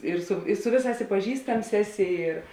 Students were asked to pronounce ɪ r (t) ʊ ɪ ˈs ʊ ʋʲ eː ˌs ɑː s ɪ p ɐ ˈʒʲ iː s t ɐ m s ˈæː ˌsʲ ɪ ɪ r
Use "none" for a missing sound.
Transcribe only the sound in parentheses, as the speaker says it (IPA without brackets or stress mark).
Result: s